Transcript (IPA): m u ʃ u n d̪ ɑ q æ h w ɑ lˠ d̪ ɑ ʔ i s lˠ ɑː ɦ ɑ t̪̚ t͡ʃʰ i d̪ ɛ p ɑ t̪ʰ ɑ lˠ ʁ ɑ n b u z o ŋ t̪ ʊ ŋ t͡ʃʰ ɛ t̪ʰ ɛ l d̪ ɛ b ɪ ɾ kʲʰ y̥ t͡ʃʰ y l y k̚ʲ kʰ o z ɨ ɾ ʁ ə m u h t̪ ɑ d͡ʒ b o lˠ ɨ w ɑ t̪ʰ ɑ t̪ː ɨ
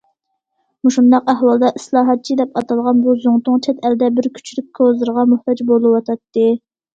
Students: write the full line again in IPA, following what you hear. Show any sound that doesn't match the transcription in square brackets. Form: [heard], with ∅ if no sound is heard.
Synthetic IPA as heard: m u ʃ u n d̪ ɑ q æ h w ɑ lˠ d̪ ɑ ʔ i s lˠ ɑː ɦ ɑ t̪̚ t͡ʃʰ i d̪ ɛ p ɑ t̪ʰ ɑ lˠ ʁ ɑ n b u z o ŋ t̪ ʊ ŋ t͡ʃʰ ɛ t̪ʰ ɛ l d̪ ɛ b ɪ ɾ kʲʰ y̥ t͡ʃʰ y l y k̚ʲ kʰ o z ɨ ɾ ʁ [ɑ] m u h t̪ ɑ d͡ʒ b o lˠ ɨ w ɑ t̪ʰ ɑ t̪ː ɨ